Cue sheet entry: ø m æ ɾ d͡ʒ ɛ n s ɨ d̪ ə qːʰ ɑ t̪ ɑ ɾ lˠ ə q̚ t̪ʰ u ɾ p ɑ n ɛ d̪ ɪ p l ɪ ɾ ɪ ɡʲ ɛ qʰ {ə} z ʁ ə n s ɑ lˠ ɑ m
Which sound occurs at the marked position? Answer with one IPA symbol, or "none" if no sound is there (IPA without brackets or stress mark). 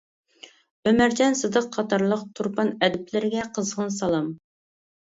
ə